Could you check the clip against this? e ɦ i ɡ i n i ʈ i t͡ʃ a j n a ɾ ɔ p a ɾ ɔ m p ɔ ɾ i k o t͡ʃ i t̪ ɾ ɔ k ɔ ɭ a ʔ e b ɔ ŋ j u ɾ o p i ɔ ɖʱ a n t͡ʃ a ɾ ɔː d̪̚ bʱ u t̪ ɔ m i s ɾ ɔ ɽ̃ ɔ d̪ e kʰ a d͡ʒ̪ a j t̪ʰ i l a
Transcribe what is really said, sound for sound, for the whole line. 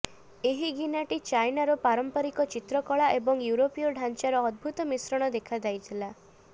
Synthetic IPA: e ɦ i ɡ i n a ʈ i t͡ʃ a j n a ɾ ɔ p a ɾ ɔ m p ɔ ɾ i k ɔ t͡ʃ i t̪ ɾ ɔ k ɔ ɭ a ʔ e b ɔ ŋ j u ɾ o p i ɔ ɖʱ a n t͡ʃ a ɾ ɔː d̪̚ bʱ u t̪ ɔ m i s ɾ ɔ ɽ̃ ɔ d̪ e kʰ a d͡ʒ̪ a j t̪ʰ i l a